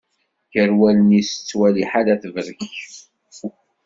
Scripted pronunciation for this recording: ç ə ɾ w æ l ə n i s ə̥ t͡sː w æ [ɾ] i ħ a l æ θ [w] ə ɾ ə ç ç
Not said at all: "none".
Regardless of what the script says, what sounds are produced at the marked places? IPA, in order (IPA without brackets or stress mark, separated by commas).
l, v